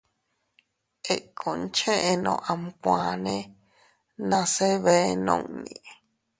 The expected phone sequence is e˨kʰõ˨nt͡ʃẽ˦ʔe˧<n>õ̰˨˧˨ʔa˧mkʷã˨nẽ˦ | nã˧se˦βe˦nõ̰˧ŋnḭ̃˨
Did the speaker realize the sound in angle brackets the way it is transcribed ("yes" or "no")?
yes